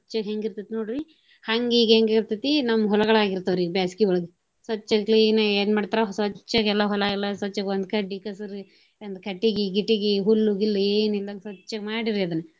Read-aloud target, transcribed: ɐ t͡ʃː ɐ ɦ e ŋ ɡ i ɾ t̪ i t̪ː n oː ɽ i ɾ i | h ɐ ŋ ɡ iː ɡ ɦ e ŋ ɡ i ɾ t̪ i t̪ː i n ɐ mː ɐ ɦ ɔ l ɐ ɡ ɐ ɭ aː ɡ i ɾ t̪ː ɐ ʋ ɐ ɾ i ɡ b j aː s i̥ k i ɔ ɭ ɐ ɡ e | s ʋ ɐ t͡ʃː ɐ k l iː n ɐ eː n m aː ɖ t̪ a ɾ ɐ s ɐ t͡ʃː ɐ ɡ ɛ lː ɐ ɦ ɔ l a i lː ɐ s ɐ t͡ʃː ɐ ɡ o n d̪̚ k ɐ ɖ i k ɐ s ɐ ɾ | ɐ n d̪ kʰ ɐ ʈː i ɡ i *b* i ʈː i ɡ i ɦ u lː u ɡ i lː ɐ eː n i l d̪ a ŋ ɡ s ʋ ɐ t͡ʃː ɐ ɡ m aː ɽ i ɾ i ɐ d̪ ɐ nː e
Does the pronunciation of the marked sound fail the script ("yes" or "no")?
yes